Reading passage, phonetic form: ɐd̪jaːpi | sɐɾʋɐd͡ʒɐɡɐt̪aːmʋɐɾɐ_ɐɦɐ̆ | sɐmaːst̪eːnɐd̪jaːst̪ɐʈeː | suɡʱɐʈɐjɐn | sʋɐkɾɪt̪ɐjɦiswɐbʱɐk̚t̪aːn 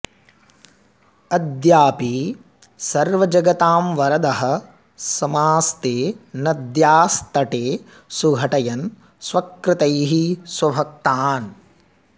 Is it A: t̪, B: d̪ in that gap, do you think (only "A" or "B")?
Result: B